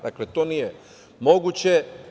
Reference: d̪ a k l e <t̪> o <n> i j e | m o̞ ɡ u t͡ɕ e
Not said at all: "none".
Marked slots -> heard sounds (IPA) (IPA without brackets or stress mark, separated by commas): t̪, n